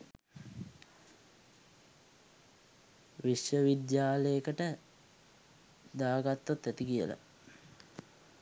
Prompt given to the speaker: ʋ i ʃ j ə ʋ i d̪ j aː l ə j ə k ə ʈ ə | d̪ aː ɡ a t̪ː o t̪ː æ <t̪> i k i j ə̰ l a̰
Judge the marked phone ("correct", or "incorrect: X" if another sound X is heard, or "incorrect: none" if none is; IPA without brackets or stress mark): correct